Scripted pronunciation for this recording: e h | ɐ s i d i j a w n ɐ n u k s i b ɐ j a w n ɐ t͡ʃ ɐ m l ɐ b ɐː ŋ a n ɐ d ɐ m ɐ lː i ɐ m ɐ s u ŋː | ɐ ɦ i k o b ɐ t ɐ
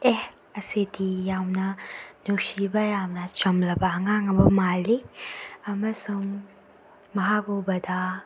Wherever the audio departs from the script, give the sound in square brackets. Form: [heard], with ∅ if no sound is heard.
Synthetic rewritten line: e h | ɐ s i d i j a w n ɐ n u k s i b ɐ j a w n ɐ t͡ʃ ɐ m l ɐ b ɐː ŋ a [ŋ] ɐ [b] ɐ m [a] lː i ɐ m ɐ s u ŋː | ɐ ɦ [a] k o b ɐ [d] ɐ